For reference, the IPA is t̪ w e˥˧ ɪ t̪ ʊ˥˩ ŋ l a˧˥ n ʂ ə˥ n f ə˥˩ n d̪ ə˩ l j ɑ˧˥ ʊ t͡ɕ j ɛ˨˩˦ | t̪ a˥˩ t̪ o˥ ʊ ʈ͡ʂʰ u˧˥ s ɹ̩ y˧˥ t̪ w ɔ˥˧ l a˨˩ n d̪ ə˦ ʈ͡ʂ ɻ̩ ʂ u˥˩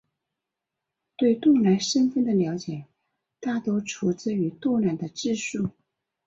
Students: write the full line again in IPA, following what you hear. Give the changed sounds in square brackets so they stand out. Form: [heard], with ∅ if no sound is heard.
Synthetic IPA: t̪ w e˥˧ ɪ t̪ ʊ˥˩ ŋ l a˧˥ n ʂ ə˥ n f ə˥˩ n d̪ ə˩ l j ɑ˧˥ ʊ t͡ɕ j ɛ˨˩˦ | t̪ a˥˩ t̪ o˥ ʊ ʈ͡ʂʰ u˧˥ [t͡s] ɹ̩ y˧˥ t̪ w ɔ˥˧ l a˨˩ n d̪ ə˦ ʈ͡ʂ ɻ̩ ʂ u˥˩